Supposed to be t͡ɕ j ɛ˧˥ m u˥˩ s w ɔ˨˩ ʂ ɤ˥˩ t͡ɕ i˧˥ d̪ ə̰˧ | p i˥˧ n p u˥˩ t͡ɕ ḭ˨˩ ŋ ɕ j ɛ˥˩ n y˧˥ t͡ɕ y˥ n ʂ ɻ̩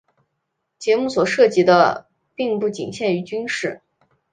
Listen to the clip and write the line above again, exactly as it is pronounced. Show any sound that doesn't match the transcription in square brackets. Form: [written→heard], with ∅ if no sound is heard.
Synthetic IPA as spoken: t͡ɕ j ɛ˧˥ m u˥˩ s w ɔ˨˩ ʂ ɤ˥˩ t͡ɕ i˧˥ d̪ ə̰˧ | p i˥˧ [n→ŋ] p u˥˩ t͡ɕ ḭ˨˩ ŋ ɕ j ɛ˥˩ n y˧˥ t͡ɕ y˥ n ʂ ɻ̩